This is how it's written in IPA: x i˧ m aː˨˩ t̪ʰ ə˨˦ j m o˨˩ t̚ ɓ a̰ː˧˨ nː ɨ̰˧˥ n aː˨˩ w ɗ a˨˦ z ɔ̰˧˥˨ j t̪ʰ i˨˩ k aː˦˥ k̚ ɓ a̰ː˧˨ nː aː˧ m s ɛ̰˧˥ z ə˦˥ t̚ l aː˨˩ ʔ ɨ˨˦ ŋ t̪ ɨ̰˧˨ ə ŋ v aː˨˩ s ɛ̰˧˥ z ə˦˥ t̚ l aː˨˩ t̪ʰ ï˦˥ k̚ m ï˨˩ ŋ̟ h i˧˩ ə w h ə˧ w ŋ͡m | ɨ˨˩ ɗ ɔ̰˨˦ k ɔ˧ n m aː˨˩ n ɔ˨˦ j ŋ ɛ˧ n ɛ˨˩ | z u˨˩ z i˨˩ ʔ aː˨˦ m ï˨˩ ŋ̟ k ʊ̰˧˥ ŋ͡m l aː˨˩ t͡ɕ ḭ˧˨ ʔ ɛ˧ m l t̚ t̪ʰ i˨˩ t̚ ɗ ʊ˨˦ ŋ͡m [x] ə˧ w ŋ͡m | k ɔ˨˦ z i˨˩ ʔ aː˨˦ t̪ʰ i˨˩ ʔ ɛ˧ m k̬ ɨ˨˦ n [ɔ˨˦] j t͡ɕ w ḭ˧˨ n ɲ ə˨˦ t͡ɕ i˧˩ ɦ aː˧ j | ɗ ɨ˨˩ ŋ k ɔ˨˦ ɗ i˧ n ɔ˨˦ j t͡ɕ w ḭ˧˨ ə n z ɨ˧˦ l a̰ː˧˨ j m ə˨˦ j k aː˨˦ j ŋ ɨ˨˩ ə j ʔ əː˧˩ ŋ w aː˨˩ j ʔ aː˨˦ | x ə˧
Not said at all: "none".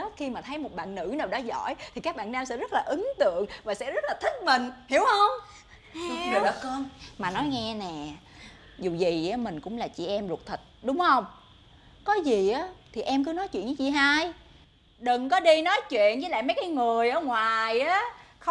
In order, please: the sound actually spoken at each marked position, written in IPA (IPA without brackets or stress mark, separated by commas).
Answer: h, ɔ˨˦